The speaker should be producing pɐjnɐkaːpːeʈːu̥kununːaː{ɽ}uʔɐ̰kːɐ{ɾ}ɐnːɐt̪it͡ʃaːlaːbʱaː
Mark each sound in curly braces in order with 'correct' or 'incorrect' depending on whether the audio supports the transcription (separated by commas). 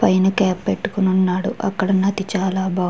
correct, incorrect